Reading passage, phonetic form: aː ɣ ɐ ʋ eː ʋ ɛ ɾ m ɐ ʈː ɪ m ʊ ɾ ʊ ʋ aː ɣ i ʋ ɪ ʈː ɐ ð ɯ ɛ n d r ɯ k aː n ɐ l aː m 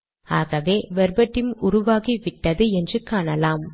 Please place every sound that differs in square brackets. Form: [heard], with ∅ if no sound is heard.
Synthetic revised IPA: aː ɣ ɐ ʋ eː ʋ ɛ ɾ [b] ɐ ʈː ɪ m ʊ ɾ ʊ ʋ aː ɣ i ʋ ɪ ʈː ɐ ð ɯ ɛ n d r ɯ k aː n ɐ l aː m